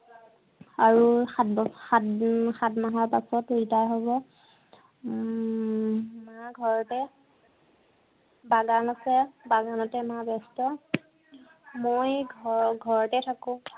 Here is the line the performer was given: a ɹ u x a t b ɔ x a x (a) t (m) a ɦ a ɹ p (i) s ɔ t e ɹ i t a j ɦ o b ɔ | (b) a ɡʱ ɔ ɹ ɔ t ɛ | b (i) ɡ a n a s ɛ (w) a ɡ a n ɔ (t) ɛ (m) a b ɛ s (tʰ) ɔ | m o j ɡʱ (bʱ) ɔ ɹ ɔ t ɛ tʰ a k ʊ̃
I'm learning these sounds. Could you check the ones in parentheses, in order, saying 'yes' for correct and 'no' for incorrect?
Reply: yes, yes, no, no, no, no, yes, yes, no, no

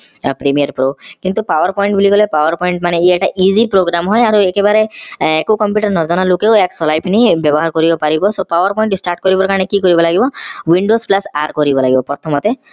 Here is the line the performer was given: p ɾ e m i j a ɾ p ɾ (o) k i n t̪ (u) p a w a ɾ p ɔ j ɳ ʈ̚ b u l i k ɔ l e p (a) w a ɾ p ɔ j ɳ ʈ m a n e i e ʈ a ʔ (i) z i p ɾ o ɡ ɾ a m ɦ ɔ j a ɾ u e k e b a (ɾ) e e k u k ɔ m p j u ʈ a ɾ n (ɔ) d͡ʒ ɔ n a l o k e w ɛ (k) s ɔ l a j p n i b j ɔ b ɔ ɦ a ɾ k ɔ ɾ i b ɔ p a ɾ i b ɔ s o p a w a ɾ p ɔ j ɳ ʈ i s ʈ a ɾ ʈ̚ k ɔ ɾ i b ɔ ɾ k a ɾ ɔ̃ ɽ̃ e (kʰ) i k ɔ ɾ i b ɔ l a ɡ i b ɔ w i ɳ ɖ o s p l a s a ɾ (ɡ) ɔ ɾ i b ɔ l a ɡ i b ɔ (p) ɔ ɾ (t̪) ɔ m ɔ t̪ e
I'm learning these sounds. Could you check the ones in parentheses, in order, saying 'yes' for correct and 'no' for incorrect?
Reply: yes, yes, yes, yes, yes, yes, yes, no, no, yes, no

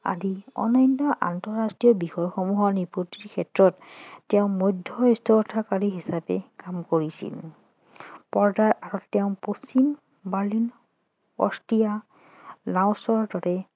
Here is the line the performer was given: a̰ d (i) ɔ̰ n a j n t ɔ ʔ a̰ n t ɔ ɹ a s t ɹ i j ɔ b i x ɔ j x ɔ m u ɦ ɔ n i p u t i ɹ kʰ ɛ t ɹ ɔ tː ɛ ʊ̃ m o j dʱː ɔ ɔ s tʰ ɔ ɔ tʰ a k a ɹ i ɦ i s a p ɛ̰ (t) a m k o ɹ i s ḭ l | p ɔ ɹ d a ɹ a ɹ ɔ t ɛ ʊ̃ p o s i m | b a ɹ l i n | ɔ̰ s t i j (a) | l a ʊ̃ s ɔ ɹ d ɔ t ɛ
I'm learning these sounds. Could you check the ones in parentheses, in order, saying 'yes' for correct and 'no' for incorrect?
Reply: yes, no, yes

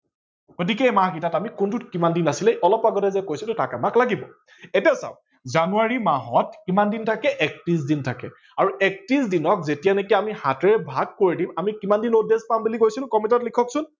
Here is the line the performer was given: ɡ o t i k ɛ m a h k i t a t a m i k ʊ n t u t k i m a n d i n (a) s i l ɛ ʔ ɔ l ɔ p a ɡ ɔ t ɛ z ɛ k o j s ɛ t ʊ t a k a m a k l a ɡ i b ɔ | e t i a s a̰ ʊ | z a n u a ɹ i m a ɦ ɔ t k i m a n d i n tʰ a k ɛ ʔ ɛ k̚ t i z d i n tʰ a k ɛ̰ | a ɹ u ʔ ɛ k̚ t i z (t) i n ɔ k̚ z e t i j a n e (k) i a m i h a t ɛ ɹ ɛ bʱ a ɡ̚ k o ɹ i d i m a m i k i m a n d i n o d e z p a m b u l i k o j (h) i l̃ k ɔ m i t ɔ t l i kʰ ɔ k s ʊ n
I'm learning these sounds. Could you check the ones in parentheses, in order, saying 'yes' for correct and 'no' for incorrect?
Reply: yes, no, yes, no

